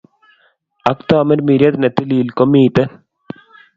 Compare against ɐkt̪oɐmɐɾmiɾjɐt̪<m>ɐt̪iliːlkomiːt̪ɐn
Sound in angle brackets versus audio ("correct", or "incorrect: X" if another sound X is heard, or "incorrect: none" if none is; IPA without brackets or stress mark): incorrect: n